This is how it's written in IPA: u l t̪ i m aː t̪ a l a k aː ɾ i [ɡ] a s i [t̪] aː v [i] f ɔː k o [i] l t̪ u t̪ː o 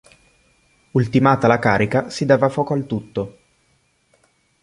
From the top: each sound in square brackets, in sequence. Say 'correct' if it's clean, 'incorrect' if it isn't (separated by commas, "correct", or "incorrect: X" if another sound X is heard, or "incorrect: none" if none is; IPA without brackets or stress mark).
incorrect: k, incorrect: d̪, incorrect: a, incorrect: a